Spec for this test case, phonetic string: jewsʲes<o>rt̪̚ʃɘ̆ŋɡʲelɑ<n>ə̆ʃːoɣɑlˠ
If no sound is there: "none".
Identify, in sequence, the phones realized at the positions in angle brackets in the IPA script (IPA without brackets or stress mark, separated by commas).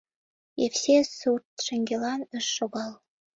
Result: u, n